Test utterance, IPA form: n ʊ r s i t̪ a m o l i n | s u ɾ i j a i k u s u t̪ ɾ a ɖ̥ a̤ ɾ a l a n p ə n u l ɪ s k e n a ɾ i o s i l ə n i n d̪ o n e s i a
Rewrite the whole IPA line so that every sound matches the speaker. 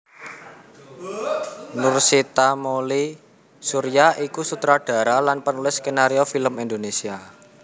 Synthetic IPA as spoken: n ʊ r s i t̪ a m o l i | s u ɾ i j a i k u s u t̪ ɾ a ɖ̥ a̤ ɾ a l a n p ə n u l ɪ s k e n a ɾ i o f i l ə m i n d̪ o n e s i a